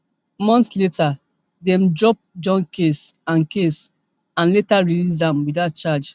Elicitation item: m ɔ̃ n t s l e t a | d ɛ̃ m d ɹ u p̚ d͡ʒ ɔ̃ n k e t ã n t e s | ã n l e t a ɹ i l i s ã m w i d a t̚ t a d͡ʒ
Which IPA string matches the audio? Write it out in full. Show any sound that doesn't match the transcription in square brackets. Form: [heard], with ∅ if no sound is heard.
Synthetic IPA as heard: m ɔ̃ n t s l e t a | d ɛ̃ m d ɹ [ɔ] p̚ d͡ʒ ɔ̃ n k e [s] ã n [k] e s | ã n l e t a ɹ i l i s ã m w i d a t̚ [t͡ʃ] a d͡ʒ